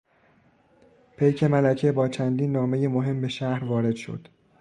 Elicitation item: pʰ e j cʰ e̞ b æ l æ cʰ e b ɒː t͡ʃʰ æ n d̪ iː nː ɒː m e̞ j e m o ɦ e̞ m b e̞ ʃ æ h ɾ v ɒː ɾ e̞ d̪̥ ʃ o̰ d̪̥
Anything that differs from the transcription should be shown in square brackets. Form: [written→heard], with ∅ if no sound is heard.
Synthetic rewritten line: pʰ e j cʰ e̞ [b→m] æ l æ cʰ e b ɒː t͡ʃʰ æ n d̪ iː nː ɒː m e̞ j e m o ɦ e̞ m b e̞ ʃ æ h ɾ v ɒː ɾ e̞ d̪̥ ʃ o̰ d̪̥